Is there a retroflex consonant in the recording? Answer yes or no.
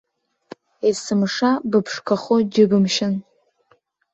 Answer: yes